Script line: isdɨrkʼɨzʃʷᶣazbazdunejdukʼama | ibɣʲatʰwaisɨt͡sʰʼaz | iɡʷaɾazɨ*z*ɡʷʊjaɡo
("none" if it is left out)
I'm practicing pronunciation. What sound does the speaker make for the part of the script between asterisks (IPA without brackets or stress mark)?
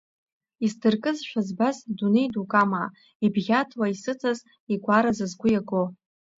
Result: z